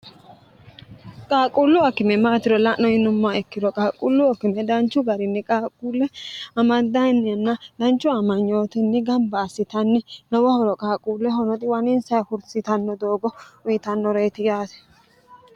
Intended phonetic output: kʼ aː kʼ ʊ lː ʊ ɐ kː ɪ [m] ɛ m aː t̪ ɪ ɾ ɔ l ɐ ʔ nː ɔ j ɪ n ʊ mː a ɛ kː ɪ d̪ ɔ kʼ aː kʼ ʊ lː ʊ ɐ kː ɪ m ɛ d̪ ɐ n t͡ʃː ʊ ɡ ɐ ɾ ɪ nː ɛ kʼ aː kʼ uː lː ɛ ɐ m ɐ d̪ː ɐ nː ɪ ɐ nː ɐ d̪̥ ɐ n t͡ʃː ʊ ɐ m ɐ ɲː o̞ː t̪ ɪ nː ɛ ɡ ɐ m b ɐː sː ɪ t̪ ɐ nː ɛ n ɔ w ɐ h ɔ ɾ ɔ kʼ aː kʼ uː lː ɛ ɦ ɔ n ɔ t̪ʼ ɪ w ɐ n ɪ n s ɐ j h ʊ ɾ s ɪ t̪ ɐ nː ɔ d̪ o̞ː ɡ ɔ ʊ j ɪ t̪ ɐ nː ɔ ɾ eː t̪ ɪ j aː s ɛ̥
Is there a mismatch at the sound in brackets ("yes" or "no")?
no